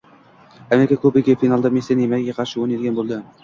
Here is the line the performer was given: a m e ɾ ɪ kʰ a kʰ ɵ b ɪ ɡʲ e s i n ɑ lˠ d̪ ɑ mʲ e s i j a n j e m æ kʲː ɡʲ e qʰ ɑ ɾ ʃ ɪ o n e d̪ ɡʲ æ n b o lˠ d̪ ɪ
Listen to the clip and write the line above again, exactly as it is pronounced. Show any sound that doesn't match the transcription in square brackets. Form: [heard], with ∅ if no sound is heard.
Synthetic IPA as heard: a m e ɾ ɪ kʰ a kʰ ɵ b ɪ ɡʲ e [f] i n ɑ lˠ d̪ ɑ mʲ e s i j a n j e m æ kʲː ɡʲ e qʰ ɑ ɾ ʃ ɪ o n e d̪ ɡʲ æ n b o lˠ d̪ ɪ